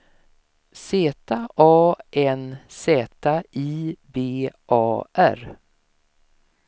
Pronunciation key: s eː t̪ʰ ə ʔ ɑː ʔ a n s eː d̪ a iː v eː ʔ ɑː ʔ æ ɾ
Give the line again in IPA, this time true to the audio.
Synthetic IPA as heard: s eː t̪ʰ a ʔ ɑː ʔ ɛ n s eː t̪ a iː b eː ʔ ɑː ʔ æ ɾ